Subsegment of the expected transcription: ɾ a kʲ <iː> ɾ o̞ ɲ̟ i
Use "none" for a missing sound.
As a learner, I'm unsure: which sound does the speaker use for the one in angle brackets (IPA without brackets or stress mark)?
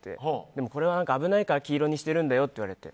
iː